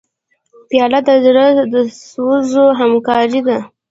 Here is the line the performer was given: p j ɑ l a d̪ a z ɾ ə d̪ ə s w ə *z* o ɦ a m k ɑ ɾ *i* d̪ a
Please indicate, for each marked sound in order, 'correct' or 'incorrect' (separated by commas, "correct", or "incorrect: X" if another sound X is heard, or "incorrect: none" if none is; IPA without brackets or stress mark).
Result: correct, correct